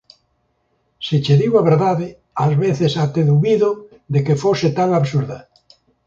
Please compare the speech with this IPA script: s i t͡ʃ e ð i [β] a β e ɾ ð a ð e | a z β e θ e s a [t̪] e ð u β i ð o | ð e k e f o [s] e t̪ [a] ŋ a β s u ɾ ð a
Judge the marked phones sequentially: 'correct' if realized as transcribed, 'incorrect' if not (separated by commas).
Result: incorrect, correct, correct, correct